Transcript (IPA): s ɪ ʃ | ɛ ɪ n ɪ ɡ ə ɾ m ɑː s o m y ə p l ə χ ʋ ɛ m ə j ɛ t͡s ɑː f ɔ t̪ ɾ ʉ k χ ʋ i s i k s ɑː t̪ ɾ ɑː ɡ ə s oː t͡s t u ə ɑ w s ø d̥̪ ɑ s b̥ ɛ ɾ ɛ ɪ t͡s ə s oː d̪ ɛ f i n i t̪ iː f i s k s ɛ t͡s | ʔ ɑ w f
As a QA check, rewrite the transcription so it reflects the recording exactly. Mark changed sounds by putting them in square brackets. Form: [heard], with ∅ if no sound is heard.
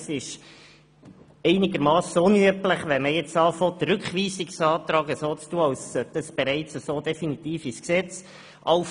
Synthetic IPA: s ɪ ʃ | ɛ ɪ n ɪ ɡ ə ɾ m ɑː s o [n] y ə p l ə χ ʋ ɛ m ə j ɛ t͡s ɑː f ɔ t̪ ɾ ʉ k χ ʋ [iː] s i k s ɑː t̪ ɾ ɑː ɡ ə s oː t͡s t u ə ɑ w s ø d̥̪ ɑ s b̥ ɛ ɾ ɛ ɪ t͡s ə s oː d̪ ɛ f i n i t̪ iː f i s k s ɛ t͡s | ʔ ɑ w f

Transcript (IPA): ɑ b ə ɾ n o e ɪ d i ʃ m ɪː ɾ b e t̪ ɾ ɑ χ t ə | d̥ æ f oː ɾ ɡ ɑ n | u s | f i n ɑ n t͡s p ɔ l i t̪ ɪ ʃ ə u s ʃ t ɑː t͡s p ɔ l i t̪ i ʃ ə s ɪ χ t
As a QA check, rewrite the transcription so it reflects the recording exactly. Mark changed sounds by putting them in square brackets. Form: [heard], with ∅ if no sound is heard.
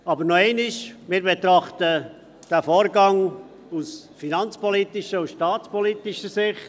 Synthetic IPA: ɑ b ə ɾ n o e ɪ [n] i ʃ m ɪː ɾ b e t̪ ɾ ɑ χ t ə | d̥ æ f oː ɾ ɡ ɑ [ŋ] | u s | f i n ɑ n t͡s p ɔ l i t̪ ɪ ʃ ə u s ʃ t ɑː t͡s p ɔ l i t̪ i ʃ ə s ɪ χ t

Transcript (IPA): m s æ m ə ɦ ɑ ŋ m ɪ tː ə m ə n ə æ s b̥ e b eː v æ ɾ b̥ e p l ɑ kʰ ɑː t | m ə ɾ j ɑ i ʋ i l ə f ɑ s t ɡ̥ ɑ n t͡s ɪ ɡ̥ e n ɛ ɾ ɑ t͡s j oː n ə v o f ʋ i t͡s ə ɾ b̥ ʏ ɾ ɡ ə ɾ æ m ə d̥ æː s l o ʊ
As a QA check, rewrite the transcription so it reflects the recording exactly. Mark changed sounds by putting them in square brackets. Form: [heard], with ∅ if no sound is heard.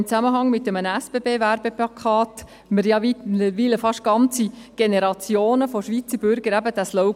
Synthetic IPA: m [t͡s] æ m ə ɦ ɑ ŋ m ɪ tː ə m ə n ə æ s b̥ e b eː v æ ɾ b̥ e p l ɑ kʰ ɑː t | m ə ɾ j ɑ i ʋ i l ə f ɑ [ʃ] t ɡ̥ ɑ n t͡s [i] ɡ̥ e n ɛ ɾ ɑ t͡s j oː n ə [f] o [ʃ] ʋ i t͡s ə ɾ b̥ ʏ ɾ ɡ ə ɾ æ [b] ə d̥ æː s l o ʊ

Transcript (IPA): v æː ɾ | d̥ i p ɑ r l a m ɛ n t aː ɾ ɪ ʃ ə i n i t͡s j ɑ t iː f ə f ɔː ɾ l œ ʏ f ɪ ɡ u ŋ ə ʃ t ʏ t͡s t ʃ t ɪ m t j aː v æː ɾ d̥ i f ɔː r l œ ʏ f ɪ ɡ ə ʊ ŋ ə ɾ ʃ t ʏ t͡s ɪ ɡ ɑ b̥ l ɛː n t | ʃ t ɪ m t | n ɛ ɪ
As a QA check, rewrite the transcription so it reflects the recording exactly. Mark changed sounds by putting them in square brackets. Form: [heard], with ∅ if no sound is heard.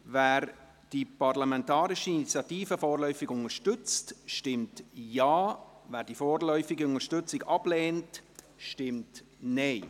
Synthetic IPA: v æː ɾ | d̥ i p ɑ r l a m ɛ n t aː ɾ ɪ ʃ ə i n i t͡s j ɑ t iː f ə f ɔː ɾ l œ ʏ f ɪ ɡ [ʊ] ŋ ə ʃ t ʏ t͡s t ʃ t ɪ m t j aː v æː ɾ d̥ i f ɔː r l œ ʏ f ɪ ɡ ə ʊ ŋ ə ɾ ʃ t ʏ t͡s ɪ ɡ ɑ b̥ l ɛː n t | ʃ t ɪ m t | n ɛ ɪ

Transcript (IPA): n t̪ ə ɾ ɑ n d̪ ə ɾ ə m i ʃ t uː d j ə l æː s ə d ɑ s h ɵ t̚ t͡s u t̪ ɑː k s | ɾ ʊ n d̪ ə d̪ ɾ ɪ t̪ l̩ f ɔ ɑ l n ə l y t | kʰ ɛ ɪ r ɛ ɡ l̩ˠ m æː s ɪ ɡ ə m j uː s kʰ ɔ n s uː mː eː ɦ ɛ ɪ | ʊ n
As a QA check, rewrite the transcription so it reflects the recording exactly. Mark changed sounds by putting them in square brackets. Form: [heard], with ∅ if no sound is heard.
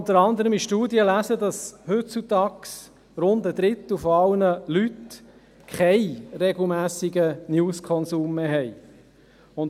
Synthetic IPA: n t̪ ə ɾ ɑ n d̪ ə ɾ ə m i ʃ t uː d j ə l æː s ə d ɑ s h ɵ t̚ t͡s u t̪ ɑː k s | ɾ ʊ n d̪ ə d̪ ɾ ɪ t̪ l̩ f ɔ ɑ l n ə l y t | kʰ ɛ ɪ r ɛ ɡ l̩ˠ m æː s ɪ ɡ ə [n] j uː s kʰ ɔ n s uː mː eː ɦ ɛ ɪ | ʊ n

